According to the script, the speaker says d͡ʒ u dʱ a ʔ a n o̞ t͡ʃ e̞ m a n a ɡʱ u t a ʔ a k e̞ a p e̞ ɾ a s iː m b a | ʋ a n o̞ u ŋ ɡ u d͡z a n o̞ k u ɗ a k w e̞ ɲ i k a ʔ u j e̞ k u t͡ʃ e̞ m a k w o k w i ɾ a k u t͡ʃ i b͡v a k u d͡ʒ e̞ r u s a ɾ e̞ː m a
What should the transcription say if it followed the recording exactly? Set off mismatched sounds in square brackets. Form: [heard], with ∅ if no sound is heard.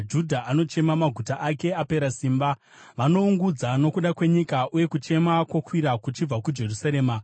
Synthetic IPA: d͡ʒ u dʱ a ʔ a n o̞ t͡ʃ e̞ m a [m] a ɡʱ u t a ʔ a k e̞ a p e̞ ɾ a s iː m b a | ʋ a n o̞ u ŋ ɡ u d͡z a n o̞ k u ɗ a k w e̞ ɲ i k a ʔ u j e̞ k u t͡ʃ e̞ m a k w o k w i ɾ a k u t͡ʃ i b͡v a k u d͡ʒ e̞ r u s a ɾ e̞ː m a